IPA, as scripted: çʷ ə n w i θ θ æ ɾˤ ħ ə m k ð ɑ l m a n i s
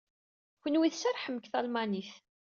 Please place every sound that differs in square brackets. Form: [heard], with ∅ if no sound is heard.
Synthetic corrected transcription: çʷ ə n w i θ [s] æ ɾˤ ħ ə m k [θ] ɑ l m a n i [θ]